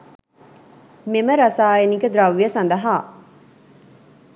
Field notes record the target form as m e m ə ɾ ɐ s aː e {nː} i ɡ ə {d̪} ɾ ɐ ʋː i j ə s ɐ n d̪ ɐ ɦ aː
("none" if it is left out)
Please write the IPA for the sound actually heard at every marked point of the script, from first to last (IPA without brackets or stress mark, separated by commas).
n, d̪